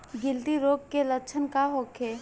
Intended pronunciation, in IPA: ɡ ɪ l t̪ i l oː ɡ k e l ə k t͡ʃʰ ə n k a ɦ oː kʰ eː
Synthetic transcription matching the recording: ɡ ɪ l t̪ i ɾ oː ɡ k e l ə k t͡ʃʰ ə n k a ɦ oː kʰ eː

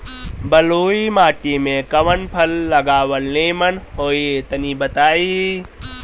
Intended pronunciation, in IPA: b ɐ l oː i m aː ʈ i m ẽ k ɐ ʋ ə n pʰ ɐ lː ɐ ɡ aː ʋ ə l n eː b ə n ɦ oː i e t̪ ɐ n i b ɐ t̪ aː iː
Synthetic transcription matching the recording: b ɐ l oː i m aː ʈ i m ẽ k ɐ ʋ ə n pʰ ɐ lː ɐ ɡ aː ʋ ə l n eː m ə n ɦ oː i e t̪ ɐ n i b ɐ t̪ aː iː

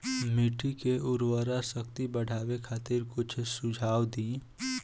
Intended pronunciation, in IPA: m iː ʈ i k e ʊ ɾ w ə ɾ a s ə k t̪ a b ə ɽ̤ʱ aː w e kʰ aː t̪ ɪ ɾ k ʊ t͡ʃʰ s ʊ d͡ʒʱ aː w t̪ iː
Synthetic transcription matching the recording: m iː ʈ i k e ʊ ɾ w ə ɾ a s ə k t̪ i b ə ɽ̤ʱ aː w e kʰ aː t̪ ɪ ɾ k ʊ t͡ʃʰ s ʊ d͡ʒʱ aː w d̪ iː

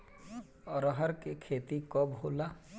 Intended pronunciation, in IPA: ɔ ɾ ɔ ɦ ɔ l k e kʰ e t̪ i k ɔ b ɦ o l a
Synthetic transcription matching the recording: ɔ ɾ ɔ ɦ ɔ ɾ k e kʰ e t̪ i k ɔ b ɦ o l a

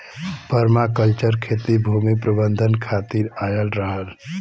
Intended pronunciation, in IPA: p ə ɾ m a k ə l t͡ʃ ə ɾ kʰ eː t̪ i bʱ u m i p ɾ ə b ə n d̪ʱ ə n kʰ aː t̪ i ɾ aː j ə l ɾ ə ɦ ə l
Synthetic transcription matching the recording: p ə ɾ m a k ə l t͡ʃ ə ɾ kʰ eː t̪ i bʱ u m i p ɾ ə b ə n d̪ʱ ə n kʰ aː t̪ i ɾ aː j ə l ɾ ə ɦ ə l

